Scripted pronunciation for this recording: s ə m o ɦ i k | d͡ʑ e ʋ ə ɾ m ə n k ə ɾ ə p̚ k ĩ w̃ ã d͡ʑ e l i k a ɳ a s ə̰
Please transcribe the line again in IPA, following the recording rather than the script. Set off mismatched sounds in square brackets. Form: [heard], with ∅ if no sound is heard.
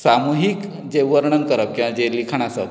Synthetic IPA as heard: s [a] m [u] ɦ i k | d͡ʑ e ʋ ə ɾ [ɳ] ə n k ə ɾ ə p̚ k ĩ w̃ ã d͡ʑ e l i [kʰ] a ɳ a s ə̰